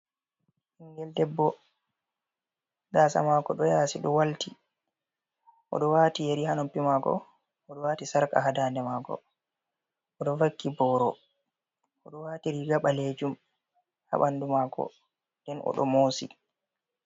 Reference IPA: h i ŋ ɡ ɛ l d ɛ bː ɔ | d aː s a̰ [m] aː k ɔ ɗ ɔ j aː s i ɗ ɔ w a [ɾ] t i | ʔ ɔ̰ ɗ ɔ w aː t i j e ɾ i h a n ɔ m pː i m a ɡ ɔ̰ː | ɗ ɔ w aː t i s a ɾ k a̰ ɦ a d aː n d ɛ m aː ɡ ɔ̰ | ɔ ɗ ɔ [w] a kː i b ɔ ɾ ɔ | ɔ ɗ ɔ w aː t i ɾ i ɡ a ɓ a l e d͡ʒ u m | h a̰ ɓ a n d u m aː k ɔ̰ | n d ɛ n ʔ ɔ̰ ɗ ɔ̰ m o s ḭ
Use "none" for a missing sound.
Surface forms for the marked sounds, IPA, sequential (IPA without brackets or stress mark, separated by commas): m, l, v